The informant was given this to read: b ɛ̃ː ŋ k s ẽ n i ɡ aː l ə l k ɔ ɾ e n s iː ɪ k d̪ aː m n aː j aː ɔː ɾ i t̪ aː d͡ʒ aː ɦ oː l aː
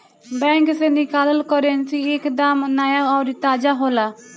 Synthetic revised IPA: b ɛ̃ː ŋ k s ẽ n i k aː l ə l k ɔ ɾ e n s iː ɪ k d̪ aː m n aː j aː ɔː ɾ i t̪ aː d͡ʒ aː ɦ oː l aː